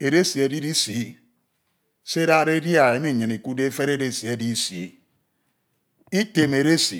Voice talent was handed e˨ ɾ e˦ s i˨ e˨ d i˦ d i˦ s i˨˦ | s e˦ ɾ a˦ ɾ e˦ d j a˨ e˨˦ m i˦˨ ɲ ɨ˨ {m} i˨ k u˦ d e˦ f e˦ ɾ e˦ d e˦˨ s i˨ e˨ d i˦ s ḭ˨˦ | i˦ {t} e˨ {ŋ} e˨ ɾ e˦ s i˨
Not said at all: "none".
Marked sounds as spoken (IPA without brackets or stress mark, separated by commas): n, t, m